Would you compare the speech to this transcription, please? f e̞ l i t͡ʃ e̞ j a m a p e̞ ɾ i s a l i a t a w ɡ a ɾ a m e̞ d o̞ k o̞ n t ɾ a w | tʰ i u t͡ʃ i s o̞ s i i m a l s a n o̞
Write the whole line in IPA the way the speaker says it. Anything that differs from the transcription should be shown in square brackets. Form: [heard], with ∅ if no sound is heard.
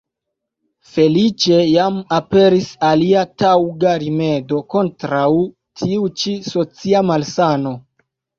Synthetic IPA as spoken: f e̞ l i t͡ʃ e̞ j a m a p e̞ ɾ i s a l i a t a w ɡ a ɾ [i] m e̞ d o̞ k o̞ n t ɾ a w | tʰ i u t͡ʃ i s o̞ [t͡s] i [a] m a l s a n o̞